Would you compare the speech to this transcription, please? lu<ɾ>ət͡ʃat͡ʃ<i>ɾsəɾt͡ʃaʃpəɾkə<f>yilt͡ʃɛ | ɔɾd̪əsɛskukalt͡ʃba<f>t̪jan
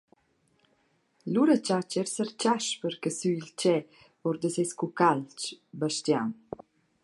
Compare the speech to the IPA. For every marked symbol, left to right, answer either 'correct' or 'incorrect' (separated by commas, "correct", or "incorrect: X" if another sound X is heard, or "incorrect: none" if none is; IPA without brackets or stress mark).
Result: correct, incorrect: ɛ, incorrect: s, incorrect: ʃ